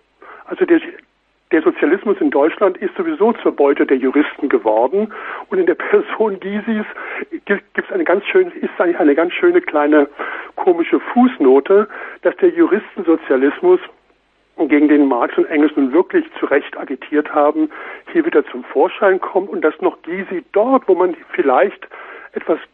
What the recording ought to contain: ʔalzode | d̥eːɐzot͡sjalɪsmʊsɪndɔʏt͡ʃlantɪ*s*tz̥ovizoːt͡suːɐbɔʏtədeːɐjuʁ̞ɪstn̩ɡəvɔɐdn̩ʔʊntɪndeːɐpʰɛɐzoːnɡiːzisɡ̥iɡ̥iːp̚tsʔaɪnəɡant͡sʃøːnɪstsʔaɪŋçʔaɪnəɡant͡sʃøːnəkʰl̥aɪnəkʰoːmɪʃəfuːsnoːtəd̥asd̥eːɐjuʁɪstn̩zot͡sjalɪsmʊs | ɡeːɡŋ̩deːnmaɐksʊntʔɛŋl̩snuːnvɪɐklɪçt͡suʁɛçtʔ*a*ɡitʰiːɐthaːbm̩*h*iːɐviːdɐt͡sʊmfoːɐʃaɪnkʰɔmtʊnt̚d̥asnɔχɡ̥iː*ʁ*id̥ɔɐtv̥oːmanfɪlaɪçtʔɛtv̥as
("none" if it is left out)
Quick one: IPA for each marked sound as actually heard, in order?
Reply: s, a, h, z

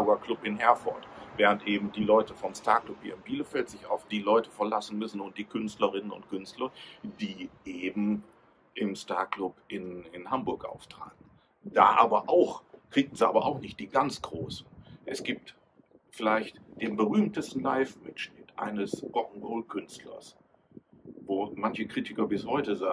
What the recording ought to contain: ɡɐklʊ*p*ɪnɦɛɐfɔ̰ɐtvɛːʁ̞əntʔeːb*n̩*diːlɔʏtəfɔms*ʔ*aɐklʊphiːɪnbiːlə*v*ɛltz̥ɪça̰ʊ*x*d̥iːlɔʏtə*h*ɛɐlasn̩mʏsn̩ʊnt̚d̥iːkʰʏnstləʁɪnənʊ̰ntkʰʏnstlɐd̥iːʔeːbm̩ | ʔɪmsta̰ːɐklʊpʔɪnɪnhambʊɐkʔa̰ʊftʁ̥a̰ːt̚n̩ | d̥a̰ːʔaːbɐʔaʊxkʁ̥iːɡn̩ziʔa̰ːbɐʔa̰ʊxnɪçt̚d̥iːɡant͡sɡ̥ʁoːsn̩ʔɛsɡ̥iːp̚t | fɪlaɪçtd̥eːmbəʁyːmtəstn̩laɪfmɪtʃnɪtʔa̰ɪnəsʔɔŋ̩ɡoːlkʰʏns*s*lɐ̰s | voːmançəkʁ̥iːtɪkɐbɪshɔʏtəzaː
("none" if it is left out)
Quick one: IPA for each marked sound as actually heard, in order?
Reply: p, m̩, t, f, f, f, t

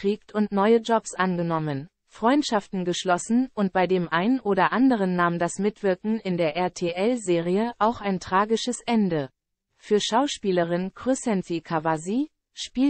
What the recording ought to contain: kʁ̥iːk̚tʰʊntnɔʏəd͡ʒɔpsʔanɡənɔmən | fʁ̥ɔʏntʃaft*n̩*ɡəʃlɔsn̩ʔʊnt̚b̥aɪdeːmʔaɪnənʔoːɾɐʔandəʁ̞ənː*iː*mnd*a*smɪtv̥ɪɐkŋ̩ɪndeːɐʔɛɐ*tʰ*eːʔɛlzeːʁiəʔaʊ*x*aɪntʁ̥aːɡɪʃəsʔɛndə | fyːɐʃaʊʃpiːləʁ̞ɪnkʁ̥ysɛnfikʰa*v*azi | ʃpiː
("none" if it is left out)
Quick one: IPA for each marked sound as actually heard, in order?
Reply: n̩, aː, a, tʰ, x, v

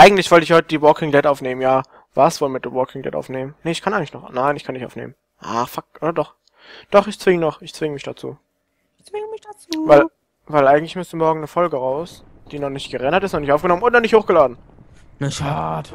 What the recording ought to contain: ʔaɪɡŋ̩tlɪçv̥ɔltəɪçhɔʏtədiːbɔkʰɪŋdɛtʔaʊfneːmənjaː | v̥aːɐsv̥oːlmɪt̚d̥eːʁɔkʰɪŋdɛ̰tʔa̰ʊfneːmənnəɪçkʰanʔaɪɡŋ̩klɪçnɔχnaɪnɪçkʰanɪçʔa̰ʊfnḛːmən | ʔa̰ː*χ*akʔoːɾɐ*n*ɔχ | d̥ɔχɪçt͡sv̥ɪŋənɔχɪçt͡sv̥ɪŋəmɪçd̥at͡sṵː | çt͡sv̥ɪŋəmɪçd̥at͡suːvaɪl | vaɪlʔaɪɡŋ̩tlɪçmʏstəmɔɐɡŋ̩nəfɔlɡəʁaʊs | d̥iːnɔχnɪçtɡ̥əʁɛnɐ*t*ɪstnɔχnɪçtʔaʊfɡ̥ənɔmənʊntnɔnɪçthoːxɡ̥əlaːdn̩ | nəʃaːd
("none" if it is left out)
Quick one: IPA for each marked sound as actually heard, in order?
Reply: f, d, t

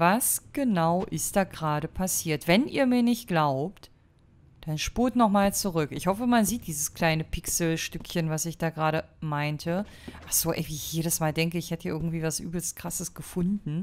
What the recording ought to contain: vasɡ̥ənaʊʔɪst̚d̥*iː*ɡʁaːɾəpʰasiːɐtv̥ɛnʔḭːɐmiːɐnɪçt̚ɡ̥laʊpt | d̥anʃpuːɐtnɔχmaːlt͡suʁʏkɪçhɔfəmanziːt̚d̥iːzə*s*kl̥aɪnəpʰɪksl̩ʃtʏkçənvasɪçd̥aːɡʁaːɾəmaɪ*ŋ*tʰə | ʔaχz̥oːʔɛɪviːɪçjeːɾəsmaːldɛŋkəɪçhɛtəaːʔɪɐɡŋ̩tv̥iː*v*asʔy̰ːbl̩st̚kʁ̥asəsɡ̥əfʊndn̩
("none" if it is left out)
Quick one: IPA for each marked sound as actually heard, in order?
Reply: aː, s, n, v

